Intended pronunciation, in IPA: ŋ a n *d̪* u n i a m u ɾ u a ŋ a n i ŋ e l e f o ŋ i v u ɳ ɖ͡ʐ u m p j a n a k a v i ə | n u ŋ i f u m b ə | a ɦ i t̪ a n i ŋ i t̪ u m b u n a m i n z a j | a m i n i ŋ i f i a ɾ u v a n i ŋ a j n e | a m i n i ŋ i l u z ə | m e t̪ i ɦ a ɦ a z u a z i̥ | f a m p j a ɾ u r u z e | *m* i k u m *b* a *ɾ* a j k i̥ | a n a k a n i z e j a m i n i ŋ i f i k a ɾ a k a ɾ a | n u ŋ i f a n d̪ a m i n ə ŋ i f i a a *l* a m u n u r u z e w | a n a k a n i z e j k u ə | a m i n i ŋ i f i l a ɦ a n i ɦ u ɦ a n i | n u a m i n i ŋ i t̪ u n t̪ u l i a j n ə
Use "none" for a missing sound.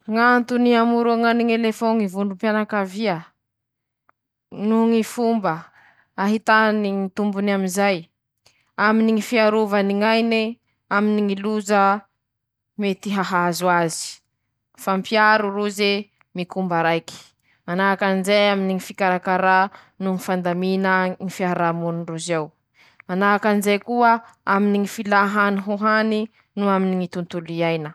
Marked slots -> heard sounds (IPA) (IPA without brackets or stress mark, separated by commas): t̪, m, b, ɾ, ɾ